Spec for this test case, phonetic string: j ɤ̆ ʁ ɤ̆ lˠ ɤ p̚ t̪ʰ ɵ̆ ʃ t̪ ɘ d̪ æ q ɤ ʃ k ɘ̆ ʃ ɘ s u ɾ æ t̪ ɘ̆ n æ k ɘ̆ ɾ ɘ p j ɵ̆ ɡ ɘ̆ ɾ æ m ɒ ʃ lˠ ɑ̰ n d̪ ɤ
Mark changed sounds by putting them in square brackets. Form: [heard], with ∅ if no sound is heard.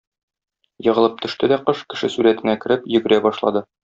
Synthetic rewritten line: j ɤ̆ ʁ ɤ̆ lˠ ɤ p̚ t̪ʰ ɵ̆ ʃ t̪ ɘ d̪ æ q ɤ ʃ k ɘ̆ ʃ ɘ s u ɾ æ t̪ ɘ̆ n æ k ɘ̆ ɾ ɘ p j ɵ̆ ɡ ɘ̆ ɾ æ [b] ɒ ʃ lˠ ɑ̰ [∅] d̪ ɤ